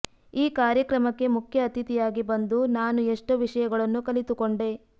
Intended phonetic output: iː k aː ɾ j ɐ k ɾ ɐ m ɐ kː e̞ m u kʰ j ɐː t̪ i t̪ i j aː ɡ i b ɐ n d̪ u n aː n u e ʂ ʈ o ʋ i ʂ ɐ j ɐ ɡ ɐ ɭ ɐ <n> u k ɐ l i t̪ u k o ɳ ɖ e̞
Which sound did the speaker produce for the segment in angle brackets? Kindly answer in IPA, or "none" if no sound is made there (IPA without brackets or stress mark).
nː